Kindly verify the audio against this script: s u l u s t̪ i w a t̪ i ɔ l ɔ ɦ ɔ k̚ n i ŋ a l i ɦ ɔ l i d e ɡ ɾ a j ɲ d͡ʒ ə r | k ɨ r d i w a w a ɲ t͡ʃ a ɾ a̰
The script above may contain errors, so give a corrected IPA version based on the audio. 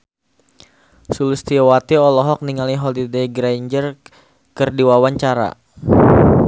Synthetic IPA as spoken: s u l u s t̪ i w a t̪ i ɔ l ɔ ɦ ɔ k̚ n i ŋ a l i ɦ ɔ l i d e ɡ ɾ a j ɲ d͡ʒ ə r | k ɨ r d i w a w a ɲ t͡ʃ a ɾ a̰